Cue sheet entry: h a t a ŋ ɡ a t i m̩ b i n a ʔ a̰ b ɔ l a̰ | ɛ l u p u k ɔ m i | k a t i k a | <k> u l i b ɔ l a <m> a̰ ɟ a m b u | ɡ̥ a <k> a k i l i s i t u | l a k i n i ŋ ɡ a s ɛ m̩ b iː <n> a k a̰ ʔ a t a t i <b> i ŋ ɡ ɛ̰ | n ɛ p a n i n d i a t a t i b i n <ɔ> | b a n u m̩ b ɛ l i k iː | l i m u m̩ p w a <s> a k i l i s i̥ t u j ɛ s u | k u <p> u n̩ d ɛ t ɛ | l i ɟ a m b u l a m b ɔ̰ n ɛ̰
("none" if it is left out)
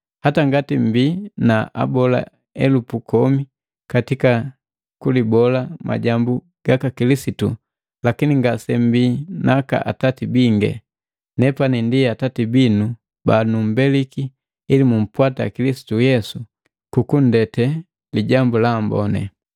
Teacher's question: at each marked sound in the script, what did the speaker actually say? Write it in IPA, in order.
k, m, k, n, b, u, t, k

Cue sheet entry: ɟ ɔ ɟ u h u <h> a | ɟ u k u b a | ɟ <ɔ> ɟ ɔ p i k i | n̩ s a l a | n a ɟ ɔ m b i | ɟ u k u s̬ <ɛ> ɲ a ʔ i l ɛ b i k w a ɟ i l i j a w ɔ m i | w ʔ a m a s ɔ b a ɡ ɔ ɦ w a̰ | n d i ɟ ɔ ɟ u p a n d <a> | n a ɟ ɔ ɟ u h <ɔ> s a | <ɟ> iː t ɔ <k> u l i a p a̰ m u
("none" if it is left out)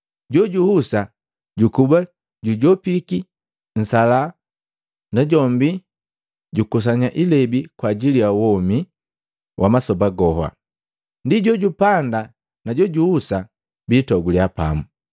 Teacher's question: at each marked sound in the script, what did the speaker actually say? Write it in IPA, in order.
s, u, a, a, u, b, ɡ

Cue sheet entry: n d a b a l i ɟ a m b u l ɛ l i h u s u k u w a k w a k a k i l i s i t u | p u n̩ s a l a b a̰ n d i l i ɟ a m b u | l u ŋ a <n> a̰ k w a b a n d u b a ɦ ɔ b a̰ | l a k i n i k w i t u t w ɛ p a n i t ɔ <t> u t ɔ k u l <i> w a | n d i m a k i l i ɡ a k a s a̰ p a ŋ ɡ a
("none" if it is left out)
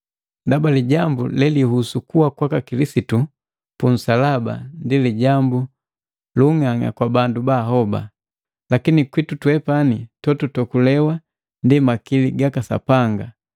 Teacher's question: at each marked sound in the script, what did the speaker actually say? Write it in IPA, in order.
ŋ, t, ɛ

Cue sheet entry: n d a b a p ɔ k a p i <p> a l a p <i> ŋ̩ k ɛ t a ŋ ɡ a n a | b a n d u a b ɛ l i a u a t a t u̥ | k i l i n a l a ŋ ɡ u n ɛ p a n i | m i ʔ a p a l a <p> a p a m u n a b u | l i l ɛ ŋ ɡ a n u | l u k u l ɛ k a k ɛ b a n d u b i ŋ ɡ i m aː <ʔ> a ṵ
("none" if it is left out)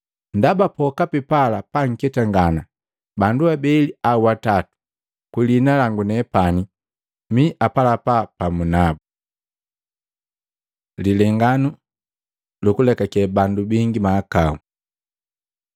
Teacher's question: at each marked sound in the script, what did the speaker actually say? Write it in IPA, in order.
p, a, p, k

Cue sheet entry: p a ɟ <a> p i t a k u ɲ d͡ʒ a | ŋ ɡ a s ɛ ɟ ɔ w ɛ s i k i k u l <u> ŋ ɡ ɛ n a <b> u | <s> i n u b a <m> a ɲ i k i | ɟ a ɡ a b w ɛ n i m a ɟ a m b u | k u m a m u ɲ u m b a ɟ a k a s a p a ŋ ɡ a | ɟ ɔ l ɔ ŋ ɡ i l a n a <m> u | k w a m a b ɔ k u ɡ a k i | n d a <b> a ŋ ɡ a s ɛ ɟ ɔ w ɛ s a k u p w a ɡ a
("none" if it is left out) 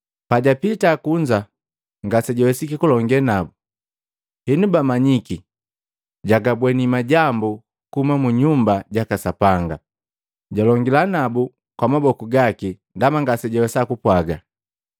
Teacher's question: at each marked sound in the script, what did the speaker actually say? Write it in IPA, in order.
a, ɔ, b, h, m, b, m

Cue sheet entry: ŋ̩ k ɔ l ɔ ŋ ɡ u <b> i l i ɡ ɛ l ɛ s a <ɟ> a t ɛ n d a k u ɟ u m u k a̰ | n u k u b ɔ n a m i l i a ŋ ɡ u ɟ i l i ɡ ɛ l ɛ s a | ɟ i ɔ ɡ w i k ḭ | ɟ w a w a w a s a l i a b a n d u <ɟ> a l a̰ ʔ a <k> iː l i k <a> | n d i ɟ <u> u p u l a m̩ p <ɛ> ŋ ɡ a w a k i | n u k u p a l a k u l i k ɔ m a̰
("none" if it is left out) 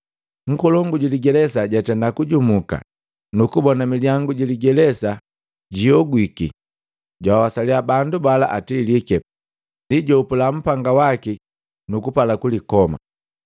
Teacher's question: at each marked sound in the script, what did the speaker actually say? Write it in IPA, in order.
ɟ, ɟ, b, t, ɛ, ɔ, a

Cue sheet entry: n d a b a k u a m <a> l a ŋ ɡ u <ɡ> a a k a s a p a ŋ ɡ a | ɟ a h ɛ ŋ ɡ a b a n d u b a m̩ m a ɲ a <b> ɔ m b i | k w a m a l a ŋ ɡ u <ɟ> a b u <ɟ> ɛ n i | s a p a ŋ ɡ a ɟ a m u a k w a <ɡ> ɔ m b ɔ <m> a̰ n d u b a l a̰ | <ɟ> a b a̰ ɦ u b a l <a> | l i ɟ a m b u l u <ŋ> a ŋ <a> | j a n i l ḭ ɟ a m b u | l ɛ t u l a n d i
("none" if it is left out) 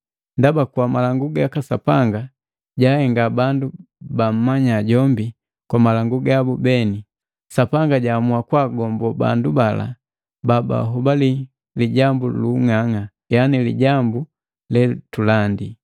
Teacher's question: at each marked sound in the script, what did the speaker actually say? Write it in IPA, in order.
a, ɡ, ɟ, ɡ, b, ɡ, b, b, i, ŋ, a

